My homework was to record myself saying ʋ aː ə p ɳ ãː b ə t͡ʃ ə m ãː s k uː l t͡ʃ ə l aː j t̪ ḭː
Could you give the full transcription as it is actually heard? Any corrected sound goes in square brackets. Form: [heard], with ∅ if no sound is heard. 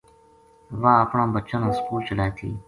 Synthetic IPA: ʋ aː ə p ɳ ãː b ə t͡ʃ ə [n] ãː s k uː l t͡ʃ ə l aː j [t̪ʰ] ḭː